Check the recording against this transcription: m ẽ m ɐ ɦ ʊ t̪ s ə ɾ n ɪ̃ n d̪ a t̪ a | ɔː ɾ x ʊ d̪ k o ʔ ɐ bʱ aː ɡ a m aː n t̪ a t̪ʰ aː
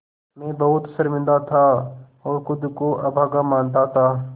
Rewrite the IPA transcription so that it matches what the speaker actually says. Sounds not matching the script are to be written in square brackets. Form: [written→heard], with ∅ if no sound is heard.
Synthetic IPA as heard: m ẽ [m→b] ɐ ɦ ʊ t̪ s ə ɾ [n→m] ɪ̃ n d̪ a [t̪→t̪ʰ] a | ɔː ɾ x ʊ d̪ k o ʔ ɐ bʱ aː ɡ a m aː n t̪ a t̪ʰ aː